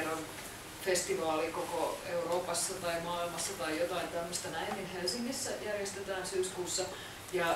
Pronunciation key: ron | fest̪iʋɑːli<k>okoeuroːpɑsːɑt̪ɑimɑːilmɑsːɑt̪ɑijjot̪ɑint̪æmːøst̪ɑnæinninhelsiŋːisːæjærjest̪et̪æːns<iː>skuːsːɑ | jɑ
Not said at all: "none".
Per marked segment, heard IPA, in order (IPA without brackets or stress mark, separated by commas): k, yː